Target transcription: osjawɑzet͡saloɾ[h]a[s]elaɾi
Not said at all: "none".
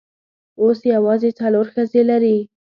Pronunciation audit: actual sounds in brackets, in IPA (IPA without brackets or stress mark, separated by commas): x, z